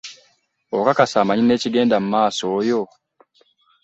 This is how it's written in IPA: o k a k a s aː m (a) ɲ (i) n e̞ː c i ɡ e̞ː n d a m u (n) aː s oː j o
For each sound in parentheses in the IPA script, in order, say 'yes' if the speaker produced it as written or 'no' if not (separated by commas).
yes, yes, no